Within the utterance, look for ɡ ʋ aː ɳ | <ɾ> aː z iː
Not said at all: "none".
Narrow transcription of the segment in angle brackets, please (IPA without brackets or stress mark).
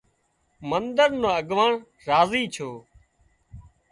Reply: ɾ